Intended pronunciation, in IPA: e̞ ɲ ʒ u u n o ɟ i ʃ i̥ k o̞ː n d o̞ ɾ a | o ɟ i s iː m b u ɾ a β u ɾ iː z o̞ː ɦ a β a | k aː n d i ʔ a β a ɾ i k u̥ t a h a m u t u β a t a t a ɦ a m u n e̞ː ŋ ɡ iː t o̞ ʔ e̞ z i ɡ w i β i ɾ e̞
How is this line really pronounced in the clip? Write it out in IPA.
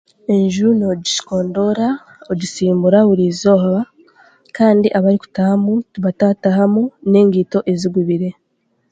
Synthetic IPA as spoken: e̞ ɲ ʒ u u n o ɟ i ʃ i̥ k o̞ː n d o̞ ɾ a | o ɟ i s iː m b u ɾ a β u ɾ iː z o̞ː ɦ a β a | k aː n d i ʔ a β a ɾ i k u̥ t a h a m u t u β a t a t a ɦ a m u n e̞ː ŋ ɡ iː t o̞ ʔ e̞ z i ɡ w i β i ɾ e̞